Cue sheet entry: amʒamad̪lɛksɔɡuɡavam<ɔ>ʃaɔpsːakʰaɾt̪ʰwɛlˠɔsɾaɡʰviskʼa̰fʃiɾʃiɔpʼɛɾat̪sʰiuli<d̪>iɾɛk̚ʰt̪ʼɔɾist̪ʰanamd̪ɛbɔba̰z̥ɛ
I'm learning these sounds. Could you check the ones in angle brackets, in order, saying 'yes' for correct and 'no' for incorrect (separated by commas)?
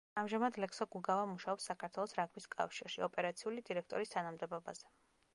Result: no, yes